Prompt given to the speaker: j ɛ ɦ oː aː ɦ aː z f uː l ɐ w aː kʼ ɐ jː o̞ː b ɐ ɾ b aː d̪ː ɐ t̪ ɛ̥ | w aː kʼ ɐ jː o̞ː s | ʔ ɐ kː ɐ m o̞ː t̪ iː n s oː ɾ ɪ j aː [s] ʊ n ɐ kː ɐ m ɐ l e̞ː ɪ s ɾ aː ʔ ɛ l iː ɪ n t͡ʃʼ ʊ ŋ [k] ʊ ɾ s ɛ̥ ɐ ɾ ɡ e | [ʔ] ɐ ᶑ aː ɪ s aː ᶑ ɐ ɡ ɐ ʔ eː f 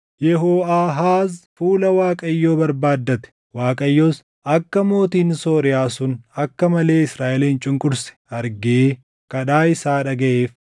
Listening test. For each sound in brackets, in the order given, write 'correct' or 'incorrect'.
correct, incorrect: kʼ, incorrect: k

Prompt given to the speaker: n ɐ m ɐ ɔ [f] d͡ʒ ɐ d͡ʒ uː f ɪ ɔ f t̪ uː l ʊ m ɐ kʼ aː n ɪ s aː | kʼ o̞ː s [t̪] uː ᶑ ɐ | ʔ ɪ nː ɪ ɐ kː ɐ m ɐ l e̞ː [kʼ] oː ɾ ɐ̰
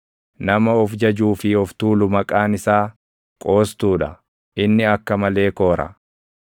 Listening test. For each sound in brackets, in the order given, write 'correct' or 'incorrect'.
correct, correct, incorrect: k

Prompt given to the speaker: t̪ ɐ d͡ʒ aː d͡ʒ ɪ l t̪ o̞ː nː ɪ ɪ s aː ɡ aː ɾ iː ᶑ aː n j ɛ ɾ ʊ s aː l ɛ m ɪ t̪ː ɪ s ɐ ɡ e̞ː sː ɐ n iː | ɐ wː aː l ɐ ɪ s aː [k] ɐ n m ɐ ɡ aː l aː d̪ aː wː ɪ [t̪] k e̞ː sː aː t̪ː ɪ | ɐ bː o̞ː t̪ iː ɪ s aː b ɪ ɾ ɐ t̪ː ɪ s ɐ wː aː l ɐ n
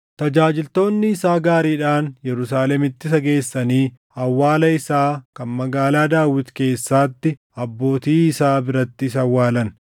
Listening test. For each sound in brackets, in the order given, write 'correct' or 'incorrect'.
correct, correct

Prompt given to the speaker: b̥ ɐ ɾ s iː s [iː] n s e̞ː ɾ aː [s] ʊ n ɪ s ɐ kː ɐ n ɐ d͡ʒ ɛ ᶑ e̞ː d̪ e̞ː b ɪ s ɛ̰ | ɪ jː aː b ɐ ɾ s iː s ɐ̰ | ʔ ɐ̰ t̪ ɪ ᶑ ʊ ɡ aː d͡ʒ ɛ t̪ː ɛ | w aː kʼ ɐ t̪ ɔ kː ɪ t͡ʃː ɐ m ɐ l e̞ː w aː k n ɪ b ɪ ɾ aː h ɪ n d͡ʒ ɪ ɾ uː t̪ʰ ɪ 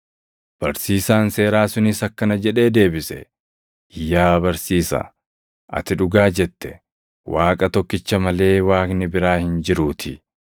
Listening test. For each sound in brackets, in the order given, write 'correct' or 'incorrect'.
incorrect: aː, correct

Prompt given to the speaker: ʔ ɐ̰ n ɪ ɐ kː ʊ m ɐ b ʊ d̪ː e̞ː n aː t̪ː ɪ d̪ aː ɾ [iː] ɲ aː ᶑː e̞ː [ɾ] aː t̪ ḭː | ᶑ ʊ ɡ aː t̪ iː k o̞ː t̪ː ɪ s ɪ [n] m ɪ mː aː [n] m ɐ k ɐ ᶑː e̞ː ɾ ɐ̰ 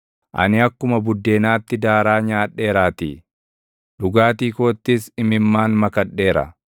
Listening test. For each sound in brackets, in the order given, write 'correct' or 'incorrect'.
incorrect: aː, correct, incorrect: none, correct

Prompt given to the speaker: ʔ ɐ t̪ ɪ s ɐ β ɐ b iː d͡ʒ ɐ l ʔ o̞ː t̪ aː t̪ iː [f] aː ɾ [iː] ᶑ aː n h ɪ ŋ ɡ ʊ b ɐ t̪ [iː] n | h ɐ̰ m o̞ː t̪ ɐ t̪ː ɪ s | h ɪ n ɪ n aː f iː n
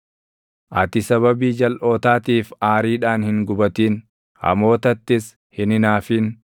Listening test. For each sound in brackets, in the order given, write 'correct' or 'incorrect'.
correct, correct, correct

